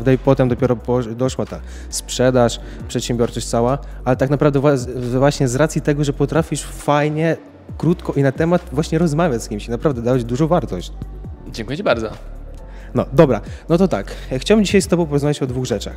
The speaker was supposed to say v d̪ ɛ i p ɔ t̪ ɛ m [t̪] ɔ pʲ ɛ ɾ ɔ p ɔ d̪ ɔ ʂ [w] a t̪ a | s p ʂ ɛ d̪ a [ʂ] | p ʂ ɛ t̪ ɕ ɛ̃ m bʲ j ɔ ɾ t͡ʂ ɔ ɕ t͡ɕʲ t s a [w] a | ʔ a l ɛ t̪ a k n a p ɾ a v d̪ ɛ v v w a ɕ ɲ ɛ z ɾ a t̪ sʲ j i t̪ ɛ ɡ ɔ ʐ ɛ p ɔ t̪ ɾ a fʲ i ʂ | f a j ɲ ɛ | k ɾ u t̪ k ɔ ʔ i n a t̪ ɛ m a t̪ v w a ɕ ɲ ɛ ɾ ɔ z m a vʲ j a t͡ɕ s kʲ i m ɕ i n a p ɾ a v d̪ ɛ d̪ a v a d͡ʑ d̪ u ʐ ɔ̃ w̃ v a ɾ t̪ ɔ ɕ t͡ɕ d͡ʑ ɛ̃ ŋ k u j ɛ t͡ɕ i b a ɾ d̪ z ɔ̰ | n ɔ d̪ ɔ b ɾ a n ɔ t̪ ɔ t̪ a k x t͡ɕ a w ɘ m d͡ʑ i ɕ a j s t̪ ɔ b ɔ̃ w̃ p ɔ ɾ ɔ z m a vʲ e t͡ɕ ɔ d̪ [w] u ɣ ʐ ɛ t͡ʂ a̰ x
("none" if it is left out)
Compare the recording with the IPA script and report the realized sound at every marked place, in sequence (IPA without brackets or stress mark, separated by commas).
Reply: d̪, w, ʂ, w, v